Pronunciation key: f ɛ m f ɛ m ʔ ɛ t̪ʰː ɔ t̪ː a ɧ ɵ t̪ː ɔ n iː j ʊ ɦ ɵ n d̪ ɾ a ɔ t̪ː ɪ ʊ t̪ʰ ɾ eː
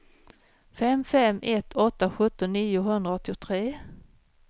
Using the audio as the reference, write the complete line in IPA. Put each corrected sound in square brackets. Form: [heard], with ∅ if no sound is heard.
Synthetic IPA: f ɛ m f ɛ m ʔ ɛ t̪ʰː ɔ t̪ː a ɧ ɵ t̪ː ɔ n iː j ʊ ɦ ɵ n d̪ ɾ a ɔ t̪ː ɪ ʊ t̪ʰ ɾ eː